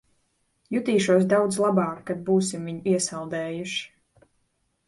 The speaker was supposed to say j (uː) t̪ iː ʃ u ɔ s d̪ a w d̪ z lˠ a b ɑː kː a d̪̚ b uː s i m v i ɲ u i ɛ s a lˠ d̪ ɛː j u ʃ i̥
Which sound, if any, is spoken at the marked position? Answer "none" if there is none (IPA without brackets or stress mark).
u